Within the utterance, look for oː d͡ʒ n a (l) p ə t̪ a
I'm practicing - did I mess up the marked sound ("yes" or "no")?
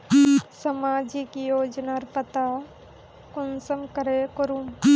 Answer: yes